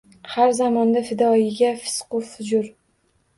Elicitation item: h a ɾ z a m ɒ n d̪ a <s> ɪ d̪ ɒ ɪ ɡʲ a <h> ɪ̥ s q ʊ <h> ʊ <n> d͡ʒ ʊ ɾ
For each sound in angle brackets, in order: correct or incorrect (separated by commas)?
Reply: incorrect, incorrect, incorrect, incorrect